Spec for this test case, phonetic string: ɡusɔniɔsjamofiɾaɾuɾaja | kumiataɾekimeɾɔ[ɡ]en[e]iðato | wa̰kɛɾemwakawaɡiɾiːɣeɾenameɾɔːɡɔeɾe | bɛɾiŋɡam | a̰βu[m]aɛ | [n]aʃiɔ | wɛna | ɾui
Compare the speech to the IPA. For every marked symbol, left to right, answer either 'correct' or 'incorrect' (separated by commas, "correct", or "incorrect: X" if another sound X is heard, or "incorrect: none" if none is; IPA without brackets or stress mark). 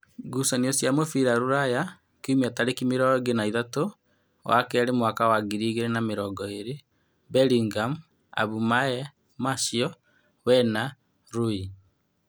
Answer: correct, incorrect: a, correct, incorrect: m